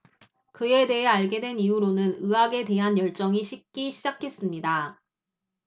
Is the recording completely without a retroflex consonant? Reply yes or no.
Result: no